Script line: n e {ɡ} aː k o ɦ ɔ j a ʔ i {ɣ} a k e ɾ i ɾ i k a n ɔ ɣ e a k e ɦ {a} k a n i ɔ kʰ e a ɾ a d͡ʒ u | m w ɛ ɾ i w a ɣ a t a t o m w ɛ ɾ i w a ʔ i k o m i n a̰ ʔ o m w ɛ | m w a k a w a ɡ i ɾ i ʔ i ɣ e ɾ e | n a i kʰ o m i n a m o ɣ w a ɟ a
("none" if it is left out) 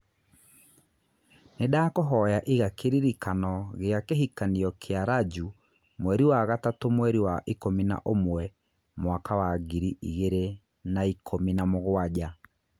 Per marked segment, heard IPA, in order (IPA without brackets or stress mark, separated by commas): d, ɣ, i